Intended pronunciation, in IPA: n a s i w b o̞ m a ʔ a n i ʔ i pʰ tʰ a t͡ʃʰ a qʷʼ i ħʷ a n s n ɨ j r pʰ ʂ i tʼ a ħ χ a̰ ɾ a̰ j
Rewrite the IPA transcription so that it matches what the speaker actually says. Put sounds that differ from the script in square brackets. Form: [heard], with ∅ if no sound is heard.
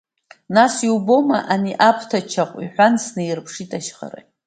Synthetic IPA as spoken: n a s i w b o̞ m a ʔ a n i ʔ [a] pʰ tʰ a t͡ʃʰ a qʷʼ i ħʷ a n s n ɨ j r pʰ ʂ i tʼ a [ʃ] χ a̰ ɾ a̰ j